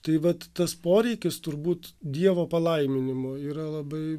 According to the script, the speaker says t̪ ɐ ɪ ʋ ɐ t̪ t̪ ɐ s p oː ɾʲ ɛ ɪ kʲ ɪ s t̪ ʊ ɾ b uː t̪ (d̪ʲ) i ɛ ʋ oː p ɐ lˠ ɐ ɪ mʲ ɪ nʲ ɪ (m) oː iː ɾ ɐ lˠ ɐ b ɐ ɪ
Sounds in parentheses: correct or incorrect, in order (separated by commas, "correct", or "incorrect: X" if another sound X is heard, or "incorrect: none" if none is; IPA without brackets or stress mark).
correct, correct